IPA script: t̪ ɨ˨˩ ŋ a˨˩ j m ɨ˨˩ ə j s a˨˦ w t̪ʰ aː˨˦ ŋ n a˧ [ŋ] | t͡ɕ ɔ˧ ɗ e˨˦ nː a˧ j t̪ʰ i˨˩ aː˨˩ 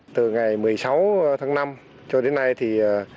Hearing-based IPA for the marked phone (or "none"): m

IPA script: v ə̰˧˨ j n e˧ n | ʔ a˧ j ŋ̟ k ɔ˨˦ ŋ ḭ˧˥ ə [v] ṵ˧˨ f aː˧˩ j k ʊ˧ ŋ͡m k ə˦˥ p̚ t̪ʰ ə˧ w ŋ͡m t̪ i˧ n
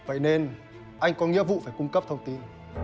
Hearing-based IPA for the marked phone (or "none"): v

